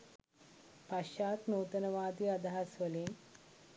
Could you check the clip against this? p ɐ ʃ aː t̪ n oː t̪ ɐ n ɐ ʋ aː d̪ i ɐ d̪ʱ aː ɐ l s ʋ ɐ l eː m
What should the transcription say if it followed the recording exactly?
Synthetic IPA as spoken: p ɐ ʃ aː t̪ n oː t̪ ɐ n ɐ ʋ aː d̪ i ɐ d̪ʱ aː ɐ s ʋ ɐ l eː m